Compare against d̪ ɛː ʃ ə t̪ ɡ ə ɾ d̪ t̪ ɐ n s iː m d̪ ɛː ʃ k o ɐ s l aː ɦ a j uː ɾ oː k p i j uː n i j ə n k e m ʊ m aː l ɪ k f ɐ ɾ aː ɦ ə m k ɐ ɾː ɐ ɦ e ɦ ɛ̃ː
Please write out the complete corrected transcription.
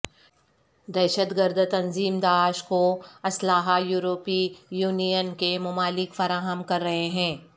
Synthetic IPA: d̪ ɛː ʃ ə t̪ ɡ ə ɾ d̪ t̪ ɐ n z iː m d̪ aː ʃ k o ɐ s l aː ɦ a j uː ɾ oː p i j uː n i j ə n k e m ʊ m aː l ɪ k f ɐ ɾ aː ɦ ə m k ɐ ɾː ɐ ɦ e ɦ ɛ̃ː